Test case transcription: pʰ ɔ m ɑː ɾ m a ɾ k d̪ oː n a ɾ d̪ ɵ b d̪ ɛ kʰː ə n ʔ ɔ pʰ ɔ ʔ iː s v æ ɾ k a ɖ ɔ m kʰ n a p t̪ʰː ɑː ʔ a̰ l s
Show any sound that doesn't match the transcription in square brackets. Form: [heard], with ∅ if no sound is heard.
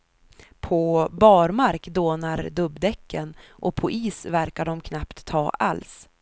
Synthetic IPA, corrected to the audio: pʰ ɔ [b] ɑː ɾ m a ɾ k d̪ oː n a ɾ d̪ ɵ b d̪ ɛ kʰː ə n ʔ ɔ pʰ ɔ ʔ iː s v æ ɾ k a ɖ ɔ m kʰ n a p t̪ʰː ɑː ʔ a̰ l s